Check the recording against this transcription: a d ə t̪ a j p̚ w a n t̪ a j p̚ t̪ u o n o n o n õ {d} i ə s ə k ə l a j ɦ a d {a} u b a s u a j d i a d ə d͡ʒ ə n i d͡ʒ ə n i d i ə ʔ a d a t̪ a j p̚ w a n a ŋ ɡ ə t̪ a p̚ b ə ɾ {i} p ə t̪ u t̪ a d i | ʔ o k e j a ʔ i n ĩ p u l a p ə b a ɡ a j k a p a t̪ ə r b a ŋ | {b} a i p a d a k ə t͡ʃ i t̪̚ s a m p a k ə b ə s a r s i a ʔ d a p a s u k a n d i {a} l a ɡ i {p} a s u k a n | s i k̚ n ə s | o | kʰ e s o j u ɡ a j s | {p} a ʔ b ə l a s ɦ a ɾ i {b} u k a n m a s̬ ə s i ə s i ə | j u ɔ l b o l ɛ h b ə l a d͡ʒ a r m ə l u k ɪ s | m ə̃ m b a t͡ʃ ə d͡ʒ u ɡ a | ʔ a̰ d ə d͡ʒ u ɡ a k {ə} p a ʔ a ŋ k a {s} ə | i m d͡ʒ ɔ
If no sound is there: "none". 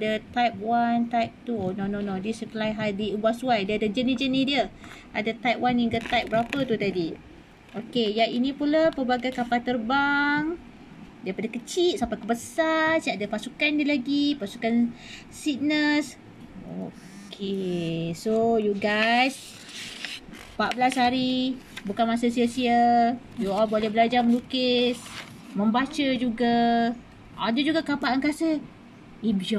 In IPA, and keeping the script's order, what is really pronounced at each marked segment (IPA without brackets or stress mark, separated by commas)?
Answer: d, i, a, d, ə, p, p, b, a, s